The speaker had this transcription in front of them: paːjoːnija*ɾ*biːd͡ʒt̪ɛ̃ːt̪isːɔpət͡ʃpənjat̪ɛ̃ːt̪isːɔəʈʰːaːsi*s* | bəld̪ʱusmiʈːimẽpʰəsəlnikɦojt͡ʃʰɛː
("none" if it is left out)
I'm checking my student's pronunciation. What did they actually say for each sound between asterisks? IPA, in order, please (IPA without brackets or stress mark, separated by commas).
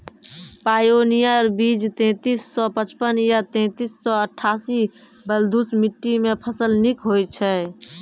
ɾ, none